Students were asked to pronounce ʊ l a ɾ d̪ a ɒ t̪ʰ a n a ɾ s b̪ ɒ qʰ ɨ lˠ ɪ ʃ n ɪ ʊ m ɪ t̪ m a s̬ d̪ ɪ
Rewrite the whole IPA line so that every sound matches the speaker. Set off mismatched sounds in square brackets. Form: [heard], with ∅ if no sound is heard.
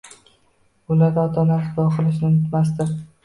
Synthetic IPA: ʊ l a ɾ d̪ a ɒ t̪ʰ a n a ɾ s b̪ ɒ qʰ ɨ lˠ ɪ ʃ n ɪ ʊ [n] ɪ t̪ m a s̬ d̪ ɪ